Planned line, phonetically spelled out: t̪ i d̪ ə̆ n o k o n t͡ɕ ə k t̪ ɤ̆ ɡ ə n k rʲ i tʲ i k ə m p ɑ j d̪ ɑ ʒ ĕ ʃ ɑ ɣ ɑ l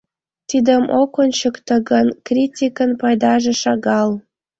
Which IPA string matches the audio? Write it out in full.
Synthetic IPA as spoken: t̪ i d̪ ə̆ m o k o n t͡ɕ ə k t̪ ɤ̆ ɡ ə n k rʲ i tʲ i k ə n p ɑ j d̪ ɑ ʒ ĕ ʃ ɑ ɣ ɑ l